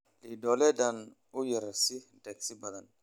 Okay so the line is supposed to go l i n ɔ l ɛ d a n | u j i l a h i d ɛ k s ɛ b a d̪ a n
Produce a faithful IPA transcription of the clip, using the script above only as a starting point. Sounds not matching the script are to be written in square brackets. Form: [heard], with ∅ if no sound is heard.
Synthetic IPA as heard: l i [d] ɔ l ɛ d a n | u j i [ɾ] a [s] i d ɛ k s [i] b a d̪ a n

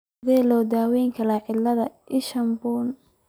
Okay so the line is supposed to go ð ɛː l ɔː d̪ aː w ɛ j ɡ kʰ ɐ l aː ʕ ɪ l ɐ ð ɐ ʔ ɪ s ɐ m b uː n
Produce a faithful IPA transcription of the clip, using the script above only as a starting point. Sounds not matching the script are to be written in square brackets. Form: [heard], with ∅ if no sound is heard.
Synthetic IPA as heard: ð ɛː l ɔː d̪ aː w ɛ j [ŋ] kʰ ɐ l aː ʕ ɪ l ɐ ð ɐ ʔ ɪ [ʃ] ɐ m b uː n

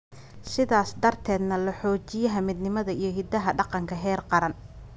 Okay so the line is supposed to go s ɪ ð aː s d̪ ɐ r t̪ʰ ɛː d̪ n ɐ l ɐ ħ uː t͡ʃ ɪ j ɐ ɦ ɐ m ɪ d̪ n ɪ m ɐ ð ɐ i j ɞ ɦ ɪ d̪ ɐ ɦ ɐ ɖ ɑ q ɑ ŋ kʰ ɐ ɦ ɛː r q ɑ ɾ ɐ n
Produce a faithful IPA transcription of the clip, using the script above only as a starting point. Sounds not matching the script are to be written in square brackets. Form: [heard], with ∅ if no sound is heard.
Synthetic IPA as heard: s ɪ ð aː s d̪ ɐ r t̪ʰ ɛː d̪ n ɐ l ɐ ħ [ɔː] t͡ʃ ɪ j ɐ ɦ ɐ m ɪ d̪ n ɪ m ɐ ð ɐ i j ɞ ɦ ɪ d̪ ɐ ɦ ɐ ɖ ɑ q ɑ ŋ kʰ ɐ ɦ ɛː r q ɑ ɾ ɐ n

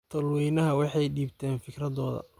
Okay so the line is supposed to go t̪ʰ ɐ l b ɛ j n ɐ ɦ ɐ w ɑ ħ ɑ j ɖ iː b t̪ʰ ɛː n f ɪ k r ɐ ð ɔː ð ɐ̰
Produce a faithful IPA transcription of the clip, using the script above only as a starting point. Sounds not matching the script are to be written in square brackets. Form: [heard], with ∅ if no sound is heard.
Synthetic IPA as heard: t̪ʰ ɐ l [w] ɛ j n ɐ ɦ ɐ w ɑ ħ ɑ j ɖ iː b t̪ʰ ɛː n f ɪ k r ɐ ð ɔː ð ɐ̰

